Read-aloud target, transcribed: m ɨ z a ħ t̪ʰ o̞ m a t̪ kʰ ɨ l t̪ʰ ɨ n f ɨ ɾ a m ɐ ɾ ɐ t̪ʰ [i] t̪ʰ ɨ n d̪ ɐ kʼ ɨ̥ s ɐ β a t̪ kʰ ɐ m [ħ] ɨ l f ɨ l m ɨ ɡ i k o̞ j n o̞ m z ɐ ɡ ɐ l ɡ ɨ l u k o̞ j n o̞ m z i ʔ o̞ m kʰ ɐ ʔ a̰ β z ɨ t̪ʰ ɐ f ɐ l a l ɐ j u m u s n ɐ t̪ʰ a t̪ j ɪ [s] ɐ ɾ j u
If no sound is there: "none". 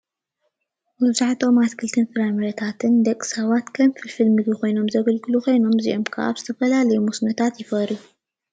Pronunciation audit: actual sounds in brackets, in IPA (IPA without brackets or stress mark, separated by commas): a, f, f